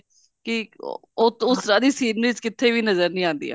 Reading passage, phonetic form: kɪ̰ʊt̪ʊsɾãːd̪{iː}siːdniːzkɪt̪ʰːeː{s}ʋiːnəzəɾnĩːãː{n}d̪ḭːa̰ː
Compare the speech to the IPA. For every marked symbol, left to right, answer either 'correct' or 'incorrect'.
correct, incorrect: none, correct

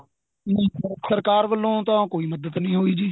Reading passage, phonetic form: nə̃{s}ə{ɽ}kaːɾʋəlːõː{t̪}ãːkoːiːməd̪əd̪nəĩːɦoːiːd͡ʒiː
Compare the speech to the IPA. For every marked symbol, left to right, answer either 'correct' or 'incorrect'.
correct, incorrect: ɾ, correct

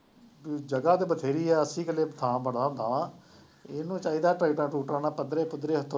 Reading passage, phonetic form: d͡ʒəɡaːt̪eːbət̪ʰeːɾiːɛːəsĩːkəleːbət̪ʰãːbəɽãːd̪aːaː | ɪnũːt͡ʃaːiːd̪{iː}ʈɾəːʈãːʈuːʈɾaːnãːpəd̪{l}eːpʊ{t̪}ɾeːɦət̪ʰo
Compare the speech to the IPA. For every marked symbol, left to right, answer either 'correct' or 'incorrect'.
incorrect: aː, incorrect: ɾ, incorrect: d̪

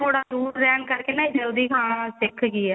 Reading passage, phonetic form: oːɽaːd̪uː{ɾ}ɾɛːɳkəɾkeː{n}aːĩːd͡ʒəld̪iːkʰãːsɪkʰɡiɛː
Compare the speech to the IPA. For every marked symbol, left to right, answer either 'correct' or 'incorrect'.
correct, correct

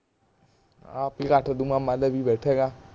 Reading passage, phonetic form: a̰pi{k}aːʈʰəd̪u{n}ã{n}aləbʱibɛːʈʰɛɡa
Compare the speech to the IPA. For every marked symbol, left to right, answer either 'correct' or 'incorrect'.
correct, incorrect: m, incorrect: m

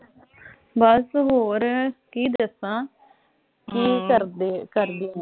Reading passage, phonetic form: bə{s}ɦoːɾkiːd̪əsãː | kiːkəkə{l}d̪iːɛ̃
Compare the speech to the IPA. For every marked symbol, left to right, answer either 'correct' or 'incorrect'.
correct, incorrect: ɾ

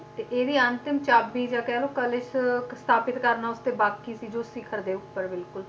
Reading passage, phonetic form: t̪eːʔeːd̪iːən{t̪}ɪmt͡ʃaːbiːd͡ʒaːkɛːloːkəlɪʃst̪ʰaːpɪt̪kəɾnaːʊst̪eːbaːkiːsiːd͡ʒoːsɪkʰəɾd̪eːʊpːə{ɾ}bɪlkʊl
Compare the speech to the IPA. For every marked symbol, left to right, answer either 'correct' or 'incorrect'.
correct, correct

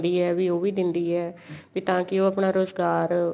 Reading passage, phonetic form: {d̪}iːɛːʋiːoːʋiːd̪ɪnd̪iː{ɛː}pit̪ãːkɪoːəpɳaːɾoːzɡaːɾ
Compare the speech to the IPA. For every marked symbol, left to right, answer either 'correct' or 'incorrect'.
correct, correct

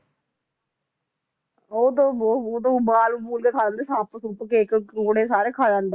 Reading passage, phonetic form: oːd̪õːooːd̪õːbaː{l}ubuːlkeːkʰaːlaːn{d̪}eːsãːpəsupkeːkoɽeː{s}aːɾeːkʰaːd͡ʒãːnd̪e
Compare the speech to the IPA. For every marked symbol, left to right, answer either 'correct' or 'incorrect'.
correct, correct, correct

